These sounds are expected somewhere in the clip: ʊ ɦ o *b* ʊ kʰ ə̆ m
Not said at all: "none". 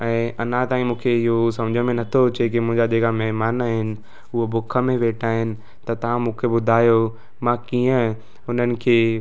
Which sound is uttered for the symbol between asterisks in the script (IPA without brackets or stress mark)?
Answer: b